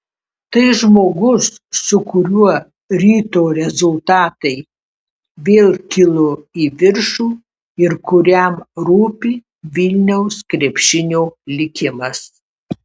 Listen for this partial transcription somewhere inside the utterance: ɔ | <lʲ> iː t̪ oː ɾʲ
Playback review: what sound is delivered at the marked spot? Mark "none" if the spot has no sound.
ɾʲ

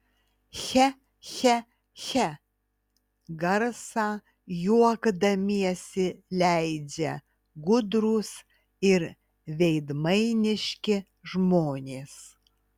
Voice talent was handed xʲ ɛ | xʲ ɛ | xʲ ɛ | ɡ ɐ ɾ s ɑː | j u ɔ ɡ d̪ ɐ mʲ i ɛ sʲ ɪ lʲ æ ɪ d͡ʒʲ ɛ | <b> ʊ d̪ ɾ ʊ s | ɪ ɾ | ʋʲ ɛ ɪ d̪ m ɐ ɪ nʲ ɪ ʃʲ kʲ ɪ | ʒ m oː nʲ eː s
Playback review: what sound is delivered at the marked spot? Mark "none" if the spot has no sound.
ɡ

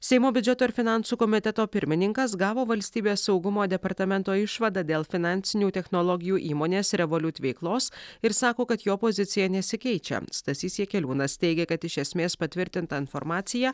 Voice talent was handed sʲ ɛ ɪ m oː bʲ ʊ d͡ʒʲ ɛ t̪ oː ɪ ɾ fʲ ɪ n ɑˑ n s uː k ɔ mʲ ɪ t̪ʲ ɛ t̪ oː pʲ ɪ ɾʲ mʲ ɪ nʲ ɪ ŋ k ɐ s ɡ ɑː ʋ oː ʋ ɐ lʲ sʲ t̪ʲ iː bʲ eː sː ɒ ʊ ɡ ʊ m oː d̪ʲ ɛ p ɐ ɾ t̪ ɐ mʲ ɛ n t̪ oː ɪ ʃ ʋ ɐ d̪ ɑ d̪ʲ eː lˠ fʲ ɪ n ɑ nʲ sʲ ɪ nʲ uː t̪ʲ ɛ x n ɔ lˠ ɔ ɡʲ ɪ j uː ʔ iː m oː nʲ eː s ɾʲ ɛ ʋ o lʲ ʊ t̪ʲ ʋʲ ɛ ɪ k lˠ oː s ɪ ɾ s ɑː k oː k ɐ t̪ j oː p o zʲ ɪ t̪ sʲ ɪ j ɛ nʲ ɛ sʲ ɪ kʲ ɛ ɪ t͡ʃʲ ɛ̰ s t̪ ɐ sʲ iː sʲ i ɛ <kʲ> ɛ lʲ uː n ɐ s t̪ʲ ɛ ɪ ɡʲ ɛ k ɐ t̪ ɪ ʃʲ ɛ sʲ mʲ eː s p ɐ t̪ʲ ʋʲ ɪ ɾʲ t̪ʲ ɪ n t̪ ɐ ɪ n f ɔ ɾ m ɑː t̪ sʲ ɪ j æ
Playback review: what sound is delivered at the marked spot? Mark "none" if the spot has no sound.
kʲ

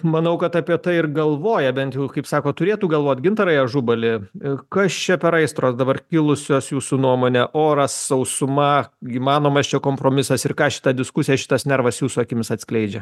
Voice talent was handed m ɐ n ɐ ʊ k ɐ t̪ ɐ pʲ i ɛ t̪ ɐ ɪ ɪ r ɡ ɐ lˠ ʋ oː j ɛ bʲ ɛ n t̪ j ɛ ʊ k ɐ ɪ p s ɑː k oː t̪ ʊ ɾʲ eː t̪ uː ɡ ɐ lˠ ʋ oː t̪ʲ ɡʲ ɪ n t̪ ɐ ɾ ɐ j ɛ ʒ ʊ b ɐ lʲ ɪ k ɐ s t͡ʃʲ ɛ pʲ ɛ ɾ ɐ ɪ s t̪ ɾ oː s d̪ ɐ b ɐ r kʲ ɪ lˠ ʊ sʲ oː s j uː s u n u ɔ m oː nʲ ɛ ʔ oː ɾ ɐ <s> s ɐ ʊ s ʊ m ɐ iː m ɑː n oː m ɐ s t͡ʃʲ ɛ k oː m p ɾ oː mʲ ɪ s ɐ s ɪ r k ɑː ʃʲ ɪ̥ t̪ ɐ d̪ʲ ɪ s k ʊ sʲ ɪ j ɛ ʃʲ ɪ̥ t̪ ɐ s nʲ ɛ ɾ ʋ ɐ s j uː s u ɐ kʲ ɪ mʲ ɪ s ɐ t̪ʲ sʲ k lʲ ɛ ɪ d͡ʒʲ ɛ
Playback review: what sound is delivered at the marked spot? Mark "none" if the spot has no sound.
s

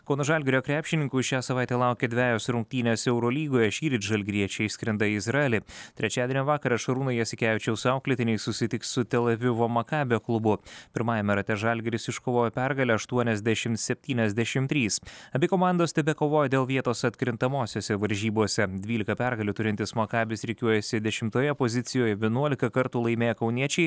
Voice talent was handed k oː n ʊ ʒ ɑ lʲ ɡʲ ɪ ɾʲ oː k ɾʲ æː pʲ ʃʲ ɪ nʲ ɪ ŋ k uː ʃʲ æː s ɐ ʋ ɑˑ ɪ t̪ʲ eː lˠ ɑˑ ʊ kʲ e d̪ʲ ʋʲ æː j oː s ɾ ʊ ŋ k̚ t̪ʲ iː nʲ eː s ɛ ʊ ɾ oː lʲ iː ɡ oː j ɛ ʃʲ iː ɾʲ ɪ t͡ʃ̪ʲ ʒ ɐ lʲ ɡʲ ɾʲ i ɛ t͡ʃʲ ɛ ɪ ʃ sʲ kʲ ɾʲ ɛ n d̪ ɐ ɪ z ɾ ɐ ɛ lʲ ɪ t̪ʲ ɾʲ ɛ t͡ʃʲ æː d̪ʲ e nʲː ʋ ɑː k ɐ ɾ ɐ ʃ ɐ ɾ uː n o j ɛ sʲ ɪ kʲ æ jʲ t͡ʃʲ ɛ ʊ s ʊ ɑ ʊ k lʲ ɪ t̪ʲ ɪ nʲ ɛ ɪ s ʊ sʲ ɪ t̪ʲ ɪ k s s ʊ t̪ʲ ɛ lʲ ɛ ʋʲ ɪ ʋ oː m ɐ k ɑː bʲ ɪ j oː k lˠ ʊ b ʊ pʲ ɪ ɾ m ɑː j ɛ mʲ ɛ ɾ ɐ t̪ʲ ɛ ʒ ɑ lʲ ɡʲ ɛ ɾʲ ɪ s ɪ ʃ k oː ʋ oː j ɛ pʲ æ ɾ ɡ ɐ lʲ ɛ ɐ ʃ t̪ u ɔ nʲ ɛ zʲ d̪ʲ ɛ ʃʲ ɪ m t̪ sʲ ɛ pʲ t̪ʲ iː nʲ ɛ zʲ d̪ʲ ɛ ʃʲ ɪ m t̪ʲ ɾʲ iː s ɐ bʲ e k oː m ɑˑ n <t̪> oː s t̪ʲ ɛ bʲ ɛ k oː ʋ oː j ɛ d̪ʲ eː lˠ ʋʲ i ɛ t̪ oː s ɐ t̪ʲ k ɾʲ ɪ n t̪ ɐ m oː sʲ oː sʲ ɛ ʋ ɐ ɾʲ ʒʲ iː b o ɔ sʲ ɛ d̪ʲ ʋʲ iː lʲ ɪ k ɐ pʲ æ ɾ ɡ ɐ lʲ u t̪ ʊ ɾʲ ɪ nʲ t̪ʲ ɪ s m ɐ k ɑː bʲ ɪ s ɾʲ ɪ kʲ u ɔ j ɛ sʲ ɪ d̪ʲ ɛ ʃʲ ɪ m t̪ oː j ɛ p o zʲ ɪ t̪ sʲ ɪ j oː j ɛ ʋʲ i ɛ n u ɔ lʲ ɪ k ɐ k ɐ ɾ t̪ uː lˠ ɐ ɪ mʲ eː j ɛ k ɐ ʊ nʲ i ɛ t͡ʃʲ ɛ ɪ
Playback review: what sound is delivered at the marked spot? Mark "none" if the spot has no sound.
d̪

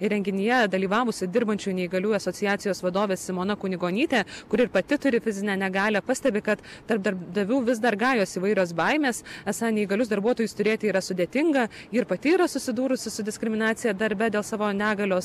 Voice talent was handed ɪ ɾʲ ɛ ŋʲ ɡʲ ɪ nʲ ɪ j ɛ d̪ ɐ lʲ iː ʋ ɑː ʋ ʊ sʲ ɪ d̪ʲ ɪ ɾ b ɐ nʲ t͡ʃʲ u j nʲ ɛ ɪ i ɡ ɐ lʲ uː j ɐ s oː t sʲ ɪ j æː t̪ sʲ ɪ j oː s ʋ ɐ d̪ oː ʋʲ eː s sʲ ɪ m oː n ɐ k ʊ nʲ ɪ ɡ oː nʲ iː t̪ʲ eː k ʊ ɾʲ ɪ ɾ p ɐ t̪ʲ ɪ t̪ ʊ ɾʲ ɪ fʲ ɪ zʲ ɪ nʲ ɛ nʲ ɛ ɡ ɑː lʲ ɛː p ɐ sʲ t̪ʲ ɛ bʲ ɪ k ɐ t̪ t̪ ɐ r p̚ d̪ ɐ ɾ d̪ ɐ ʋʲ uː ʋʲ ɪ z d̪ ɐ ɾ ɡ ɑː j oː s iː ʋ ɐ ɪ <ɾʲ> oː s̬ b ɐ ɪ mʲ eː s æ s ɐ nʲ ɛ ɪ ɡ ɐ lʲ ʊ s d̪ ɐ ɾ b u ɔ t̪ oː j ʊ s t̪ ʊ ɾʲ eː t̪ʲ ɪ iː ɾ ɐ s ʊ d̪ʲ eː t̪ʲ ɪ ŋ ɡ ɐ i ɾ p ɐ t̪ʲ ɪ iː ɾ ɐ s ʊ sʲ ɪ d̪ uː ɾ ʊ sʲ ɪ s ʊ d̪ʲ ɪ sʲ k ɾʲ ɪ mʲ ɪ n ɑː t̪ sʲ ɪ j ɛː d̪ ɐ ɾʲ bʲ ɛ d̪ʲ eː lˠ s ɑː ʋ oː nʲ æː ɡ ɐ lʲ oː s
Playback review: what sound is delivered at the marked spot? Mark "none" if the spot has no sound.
ɾʲ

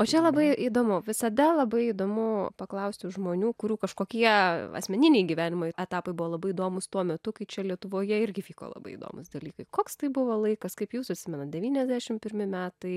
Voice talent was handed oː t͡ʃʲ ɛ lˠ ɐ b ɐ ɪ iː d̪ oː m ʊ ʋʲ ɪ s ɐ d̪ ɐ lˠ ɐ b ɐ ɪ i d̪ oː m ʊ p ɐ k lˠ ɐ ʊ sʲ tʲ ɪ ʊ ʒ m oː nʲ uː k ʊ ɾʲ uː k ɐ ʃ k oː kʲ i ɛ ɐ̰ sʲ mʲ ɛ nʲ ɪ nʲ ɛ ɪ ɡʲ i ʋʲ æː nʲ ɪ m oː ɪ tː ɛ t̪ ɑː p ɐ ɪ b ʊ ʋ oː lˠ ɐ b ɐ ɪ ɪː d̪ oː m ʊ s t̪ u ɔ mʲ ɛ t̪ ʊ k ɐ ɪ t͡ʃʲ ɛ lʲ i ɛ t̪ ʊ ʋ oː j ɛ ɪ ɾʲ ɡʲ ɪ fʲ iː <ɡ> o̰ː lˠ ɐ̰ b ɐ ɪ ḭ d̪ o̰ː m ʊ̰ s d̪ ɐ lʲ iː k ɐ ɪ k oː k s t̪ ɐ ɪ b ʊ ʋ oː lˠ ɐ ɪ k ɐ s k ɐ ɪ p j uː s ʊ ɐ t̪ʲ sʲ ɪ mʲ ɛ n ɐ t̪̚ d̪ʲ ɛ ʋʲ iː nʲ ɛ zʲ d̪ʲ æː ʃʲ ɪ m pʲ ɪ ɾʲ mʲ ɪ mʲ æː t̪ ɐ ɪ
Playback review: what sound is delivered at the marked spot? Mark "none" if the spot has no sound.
k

